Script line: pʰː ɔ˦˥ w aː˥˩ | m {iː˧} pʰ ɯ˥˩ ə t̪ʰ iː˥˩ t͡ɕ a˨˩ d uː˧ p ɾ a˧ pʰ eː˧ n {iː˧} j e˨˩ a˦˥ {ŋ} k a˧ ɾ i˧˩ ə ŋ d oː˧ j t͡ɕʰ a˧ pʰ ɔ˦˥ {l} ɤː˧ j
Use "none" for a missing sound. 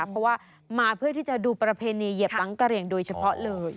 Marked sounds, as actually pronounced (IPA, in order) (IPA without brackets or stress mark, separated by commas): aː˧, iː˧, ŋ, l